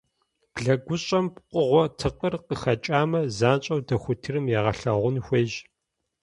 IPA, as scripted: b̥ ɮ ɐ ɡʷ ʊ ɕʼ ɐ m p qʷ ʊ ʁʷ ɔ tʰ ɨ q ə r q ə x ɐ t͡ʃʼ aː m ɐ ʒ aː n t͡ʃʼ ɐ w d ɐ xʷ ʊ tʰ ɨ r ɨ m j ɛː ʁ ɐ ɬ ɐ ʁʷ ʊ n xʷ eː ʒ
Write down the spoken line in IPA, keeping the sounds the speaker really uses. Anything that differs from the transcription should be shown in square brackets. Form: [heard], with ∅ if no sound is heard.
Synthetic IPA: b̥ ɮ ɐ ɡʷ ʊ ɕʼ ɐ m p qʷ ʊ ʁʷ ɔ tʰ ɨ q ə r q ə x ɐ t͡ʃʼ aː m ɐ [z] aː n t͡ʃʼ ɐ w d ɐ xʷ ʊ tʰ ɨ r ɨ m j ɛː ʁ ɐ ɬ ɐ ʁʷ ʊ n xʷ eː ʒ